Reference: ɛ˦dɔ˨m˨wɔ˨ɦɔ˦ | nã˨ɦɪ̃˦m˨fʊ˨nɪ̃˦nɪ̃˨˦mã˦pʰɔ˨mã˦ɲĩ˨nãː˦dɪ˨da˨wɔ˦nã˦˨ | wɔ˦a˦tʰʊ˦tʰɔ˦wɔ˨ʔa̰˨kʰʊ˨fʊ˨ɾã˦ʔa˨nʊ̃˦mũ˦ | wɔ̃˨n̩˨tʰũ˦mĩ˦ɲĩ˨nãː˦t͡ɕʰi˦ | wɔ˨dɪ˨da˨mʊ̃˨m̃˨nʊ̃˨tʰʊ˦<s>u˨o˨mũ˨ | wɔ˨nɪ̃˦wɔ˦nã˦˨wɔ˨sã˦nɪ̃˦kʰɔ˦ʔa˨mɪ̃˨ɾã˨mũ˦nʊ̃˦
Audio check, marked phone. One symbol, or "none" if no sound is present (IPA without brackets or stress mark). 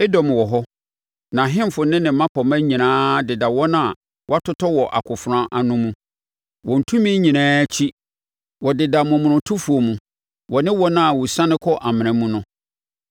f